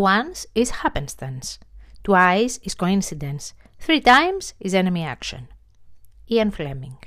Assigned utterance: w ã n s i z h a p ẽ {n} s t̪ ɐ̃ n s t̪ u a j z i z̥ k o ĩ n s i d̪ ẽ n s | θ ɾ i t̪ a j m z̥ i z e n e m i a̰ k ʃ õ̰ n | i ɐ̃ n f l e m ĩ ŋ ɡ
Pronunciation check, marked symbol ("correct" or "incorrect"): correct